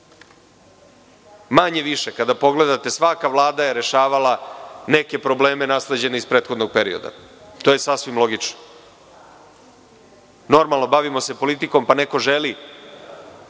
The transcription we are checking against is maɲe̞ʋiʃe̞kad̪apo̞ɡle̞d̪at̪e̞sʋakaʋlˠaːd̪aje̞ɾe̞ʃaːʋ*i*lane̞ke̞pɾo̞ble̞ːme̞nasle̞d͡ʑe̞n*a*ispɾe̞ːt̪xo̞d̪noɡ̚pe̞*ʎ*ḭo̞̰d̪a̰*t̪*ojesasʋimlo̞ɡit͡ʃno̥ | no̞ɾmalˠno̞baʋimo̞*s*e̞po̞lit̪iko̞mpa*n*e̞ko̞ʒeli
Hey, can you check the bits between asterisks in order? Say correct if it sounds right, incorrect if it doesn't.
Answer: incorrect, incorrect, incorrect, correct, correct, correct

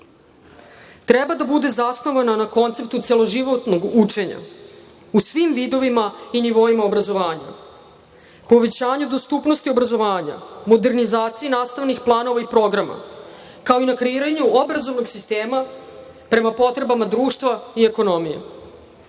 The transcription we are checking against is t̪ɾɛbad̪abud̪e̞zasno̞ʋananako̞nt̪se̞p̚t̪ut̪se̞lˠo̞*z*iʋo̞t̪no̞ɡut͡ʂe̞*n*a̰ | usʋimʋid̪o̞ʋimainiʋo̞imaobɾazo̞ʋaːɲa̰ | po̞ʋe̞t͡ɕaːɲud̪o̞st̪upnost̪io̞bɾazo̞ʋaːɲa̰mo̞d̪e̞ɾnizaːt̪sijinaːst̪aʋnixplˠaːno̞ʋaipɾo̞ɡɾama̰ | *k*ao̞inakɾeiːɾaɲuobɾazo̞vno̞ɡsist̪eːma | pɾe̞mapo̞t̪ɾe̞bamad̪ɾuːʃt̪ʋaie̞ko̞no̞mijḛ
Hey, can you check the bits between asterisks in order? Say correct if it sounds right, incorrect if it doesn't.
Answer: incorrect, incorrect, correct

